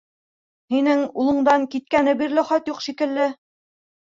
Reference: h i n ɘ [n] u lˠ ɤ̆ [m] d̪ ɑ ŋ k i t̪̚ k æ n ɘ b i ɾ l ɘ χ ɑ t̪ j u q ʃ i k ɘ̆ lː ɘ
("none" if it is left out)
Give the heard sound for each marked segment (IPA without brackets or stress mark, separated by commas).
ŋ, ɴ